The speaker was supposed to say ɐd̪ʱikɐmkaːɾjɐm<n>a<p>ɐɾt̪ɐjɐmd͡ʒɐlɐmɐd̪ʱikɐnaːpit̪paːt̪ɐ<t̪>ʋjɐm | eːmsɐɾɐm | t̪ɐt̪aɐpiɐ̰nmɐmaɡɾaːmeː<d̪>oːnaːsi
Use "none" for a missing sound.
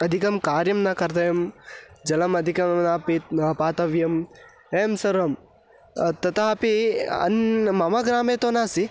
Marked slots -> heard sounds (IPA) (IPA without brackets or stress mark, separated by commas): n, k, none, t̪